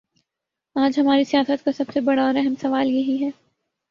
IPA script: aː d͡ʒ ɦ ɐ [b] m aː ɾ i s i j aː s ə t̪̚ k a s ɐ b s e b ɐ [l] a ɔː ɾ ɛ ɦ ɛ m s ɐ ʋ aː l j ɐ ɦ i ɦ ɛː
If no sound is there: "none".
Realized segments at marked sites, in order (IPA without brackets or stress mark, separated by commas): none, ɽ